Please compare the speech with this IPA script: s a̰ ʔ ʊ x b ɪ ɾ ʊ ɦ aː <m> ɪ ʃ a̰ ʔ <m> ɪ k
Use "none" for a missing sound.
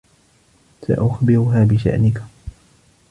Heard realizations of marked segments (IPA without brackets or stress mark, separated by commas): b, n